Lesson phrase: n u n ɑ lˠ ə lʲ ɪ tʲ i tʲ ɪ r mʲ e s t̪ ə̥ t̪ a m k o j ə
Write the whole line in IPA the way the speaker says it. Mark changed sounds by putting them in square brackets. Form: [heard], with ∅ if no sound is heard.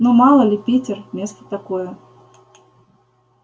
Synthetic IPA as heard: n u [m] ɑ lˠ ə lʲ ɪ [pʲ] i tʲ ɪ r mʲ e s t̪ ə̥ t̪ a [∅] k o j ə